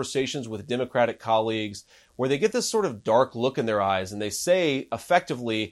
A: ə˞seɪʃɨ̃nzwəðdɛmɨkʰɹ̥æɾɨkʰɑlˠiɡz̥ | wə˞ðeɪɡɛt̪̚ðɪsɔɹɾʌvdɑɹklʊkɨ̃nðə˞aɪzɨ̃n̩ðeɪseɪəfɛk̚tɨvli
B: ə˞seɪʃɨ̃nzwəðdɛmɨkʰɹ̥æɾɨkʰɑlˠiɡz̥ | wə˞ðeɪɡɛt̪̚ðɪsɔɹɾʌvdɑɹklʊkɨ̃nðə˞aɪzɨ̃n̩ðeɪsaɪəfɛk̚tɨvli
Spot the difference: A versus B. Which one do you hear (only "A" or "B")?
A